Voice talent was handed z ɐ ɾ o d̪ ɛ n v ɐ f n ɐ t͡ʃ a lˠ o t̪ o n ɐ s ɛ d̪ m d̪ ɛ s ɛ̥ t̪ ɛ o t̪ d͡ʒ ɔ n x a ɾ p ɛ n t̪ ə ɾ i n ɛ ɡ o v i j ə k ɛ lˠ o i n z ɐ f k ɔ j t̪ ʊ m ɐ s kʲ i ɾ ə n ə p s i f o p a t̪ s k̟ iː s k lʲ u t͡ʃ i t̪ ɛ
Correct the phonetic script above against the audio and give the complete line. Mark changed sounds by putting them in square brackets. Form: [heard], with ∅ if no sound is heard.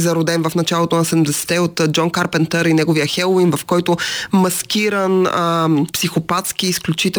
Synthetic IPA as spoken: z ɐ ɾ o d̪ ɛ n v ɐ f n ɐ t͡ʃ a lˠ o t̪ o n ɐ s ɛ d̪ m d̪ ɛ s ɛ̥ t̪ ɛ o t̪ d͡ʒ ɔ n [k] a ɾ p ɛ n t̪ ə ɾ i n ɛ ɡ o v i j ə [x] ɛ lˠ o i n [v] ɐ f k ɔ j t̪ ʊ m ɐ s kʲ i ɾ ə n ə p s i [x] o p a t̪ s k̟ iː s k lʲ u t͡ʃ i t̪ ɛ